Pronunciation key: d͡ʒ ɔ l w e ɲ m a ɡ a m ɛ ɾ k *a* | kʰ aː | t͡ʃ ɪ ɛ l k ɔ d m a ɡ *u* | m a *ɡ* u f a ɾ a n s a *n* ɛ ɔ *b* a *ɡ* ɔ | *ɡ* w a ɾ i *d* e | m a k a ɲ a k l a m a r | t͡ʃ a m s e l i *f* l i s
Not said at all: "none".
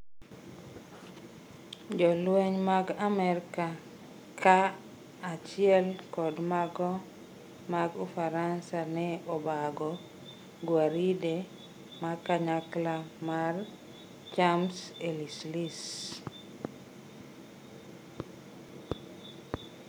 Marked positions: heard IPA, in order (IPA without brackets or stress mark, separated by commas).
a, ɔ, ɡ, n, b, ɡ, ɡ, d, s